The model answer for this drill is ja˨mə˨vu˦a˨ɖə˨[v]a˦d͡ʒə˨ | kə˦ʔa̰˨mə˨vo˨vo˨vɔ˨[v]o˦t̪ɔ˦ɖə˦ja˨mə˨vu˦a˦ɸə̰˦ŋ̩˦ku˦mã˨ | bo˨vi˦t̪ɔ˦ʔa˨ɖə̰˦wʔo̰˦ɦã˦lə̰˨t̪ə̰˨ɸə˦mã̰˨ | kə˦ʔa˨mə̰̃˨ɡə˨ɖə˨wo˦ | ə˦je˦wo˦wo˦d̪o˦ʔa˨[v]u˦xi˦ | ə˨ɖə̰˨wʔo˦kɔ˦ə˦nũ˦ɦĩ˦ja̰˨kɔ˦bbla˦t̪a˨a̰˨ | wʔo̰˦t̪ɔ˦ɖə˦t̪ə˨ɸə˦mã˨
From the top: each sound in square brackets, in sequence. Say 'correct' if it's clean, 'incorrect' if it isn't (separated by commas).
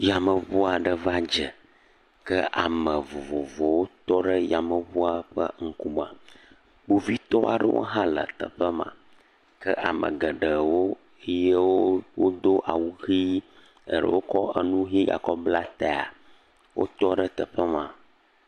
correct, incorrect, incorrect